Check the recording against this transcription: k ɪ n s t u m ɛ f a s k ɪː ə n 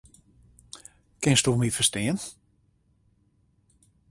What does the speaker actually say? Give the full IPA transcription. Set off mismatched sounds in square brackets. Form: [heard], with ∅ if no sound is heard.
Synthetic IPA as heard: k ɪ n s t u m [i] f [ə] s [t] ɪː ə n